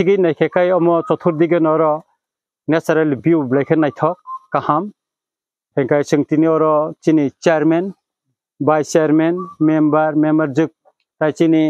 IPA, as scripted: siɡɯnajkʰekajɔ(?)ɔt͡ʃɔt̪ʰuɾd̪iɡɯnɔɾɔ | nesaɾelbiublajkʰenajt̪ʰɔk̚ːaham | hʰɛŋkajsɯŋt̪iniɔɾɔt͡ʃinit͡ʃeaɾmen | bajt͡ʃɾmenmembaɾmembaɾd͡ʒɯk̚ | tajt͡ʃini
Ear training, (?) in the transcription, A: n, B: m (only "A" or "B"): B